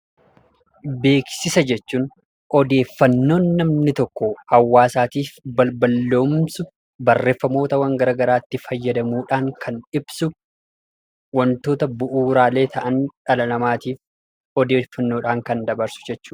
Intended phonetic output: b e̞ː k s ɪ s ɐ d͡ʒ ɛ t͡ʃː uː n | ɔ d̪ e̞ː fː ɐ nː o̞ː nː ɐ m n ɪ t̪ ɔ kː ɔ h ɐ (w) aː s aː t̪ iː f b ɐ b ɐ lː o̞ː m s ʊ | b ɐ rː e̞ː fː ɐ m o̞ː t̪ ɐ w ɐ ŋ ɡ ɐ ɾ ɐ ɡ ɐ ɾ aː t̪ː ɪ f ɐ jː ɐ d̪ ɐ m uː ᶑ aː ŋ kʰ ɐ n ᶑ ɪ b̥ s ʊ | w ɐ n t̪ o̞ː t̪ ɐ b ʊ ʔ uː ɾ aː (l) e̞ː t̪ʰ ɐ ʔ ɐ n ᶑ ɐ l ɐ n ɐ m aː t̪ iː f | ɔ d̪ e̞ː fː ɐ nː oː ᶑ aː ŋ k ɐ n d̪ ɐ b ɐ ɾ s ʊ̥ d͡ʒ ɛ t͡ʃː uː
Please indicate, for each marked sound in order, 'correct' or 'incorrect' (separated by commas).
incorrect, correct